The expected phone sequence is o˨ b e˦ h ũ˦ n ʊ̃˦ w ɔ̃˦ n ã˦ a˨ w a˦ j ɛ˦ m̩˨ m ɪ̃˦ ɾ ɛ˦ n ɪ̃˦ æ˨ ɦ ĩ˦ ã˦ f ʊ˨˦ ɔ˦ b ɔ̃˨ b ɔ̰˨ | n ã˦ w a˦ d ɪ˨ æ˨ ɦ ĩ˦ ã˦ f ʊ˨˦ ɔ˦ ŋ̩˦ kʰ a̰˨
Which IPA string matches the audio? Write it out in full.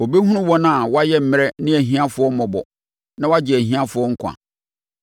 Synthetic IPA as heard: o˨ b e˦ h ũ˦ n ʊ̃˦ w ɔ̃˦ n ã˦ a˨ w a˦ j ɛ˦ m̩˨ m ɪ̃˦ ɾ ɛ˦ n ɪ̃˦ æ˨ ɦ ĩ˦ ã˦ f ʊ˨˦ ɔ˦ m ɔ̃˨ b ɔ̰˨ | n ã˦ w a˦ d͡ʑ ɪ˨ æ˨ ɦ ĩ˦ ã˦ f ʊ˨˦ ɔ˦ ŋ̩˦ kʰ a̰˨